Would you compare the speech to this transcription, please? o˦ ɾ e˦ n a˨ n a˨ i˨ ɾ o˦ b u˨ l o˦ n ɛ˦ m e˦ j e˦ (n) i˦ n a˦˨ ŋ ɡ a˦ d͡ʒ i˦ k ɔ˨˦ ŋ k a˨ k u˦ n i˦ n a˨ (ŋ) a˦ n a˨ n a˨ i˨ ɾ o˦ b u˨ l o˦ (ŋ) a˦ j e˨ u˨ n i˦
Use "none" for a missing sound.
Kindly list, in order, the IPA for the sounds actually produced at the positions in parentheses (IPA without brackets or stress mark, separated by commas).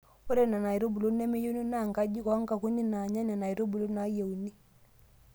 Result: n, ɲ, n